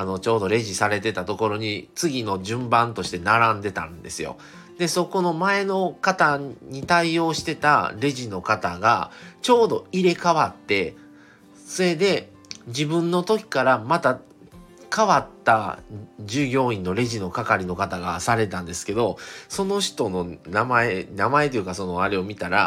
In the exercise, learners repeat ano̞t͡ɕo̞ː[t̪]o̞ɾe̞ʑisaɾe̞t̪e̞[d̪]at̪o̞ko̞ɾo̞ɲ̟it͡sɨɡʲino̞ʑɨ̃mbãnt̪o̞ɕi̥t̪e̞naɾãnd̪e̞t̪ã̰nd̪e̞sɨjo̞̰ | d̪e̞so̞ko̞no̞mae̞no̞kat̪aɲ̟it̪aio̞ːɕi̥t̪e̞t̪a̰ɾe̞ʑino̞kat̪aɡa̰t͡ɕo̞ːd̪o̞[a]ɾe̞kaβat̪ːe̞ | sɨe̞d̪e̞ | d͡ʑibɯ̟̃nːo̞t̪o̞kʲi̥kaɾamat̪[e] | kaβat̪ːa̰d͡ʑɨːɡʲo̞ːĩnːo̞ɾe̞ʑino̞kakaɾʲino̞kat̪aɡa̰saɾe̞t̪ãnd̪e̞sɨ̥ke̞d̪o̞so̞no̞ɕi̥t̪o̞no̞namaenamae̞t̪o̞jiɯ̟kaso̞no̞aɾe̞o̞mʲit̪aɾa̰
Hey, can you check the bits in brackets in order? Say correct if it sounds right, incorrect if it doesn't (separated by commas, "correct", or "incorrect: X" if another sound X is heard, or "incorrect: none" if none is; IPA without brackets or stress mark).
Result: incorrect: d̪, incorrect: t̪, incorrect: i, incorrect: a